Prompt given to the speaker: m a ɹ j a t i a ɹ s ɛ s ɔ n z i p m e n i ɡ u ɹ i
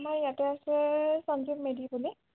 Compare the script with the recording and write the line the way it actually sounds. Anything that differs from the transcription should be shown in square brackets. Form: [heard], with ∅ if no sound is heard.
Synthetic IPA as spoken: m a ɹ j a t [ɛ] a [∅] s ɛ s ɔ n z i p m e [d] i [b] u [l] i

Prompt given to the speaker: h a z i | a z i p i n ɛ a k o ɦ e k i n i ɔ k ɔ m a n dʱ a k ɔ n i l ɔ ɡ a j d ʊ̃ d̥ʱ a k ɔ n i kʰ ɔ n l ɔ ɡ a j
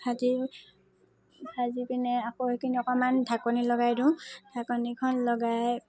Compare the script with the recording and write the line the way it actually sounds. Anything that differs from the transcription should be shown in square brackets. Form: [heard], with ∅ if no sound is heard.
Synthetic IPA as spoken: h a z i | a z i p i n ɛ a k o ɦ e k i n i ɔ k ɔ m a n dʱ a k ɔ n i l ɔ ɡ a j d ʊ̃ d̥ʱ a k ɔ n i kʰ ɔ n l ɔ ɡ a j

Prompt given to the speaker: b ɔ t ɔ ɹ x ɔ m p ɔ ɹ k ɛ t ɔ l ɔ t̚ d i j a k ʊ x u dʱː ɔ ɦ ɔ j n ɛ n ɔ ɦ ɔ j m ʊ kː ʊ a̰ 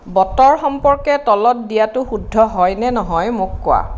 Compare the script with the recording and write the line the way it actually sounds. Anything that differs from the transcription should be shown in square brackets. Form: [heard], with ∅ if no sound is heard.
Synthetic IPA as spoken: b ɔ t ɔ ɹ x ɔ m p ɔ ɹ k ɛ t ɔ l ɔ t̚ d i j a [t] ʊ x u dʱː ɔ ɦ ɔ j n ɛ n ɔ ɦ ɔ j m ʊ kː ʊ a̰

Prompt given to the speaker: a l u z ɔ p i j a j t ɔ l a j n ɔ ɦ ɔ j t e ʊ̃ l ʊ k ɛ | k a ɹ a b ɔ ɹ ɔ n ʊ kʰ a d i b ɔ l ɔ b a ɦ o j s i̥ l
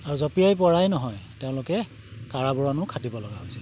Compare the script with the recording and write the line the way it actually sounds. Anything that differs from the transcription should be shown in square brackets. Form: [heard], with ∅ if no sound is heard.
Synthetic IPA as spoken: a [ɹ] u z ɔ p i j a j [p] ɔ [ɹ] a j n ɔ ɦ ɔ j t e ʊ̃ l ʊ k ɛ | k a ɹ a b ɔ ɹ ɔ n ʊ kʰ a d i b ɔ l ɔ [ɡ] a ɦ o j s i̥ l

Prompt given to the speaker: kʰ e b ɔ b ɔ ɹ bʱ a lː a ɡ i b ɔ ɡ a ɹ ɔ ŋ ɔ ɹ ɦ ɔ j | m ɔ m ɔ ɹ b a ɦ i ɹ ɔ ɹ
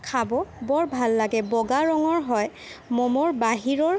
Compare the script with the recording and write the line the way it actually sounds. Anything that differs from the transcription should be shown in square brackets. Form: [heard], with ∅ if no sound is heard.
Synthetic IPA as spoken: kʰ [a] b ɔ b ɔ ɹ bʱ a lː a ɡ [ɛ] b ɔ ɡ a ɹ ɔ ŋ ɔ ɹ ɦ ɔ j | m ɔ m ɔ ɹ b a ɦ i ɹ ɔ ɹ

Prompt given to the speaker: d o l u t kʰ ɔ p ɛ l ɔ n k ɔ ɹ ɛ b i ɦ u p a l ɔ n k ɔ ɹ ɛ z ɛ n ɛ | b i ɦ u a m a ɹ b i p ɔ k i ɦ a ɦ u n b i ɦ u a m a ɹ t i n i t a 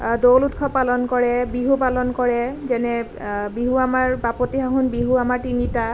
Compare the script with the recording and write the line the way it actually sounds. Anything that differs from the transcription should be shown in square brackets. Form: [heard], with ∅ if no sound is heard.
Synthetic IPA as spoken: d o l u t kʰ ɔ p [a] l ɔ n k ɔ ɹ ɛ b i ɦ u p a l ɔ n k ɔ ɹ ɛ z ɛ n ɛ | b i ɦ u a m a ɹ b [a] p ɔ [t] i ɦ a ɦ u n b i ɦ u a m a ɹ t i n i t a

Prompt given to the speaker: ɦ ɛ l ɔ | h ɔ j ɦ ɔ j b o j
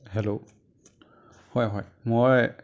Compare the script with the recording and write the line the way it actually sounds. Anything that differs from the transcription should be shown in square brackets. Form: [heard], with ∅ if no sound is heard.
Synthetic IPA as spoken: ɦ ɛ l [o] | h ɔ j ɦ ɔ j [m] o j

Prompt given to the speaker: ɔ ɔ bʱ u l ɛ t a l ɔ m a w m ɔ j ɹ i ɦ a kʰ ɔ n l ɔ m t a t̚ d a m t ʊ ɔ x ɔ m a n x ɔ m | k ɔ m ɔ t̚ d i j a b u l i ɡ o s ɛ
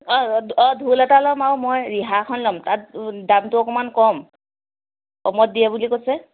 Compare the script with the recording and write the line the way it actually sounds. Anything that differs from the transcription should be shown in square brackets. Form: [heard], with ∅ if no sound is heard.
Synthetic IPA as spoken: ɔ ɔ [dʱ] u l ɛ t a l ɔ m a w m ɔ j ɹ i ɦ a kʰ ɔ n l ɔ m t a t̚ d a m t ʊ ɔ [k] ɔ m a n [k] ɔ m | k ɔ m ɔ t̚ d i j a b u l i [k] o s ɛ

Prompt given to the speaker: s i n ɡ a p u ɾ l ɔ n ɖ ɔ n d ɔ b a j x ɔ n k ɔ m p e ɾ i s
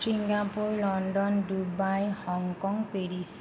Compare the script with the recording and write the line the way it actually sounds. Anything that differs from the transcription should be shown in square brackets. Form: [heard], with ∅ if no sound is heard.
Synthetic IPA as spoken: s i [ŋ] ɡ a p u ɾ l ɔ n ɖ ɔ n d [u] b a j [h] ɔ [ŋ] k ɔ [ŋ] p e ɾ i s

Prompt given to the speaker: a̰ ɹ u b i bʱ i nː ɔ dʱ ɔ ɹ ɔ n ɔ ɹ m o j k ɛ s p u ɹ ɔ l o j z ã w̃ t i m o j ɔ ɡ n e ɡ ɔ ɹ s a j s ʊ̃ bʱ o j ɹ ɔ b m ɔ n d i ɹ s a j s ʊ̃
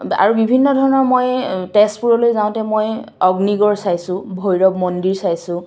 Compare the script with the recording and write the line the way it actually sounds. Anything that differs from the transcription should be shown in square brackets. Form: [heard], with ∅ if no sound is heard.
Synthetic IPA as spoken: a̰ ɹ u b i bʱ i nː ɔ dʱ ɔ ɹ ɔ n ɔ ɹ m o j [t] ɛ s p u ɹ ɔ l o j z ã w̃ t [ɛ] m o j ɔ ɡ n [i] ɡ ɔ ɹ s a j s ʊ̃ bʱ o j ɹ ɔ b m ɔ n d i ɹ s a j s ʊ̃

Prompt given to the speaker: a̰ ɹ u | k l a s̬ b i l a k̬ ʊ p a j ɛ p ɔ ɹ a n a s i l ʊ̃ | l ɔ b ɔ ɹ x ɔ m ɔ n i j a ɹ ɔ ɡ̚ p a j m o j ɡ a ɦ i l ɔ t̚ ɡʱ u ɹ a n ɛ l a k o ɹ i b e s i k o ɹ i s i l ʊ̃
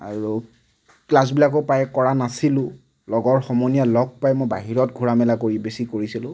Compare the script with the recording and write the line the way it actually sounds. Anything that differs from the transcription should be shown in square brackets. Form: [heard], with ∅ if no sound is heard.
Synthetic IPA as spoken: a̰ ɹ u | k l a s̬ b i l a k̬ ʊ p a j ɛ [k] ɔ ɹ a n a s i l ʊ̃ | l ɔ [ɡ] ɔ ɹ x ɔ m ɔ n i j a [l] ɔ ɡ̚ p a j m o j [b] a ɦ i [ɹ] ɔ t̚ ɡʱ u ɹ a [m] ɛ l a k o ɹ i b e s i k o ɹ i s i l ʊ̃

